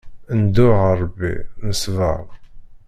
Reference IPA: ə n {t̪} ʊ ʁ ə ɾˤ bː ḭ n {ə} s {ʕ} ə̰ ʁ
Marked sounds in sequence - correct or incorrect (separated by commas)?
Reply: incorrect, correct, incorrect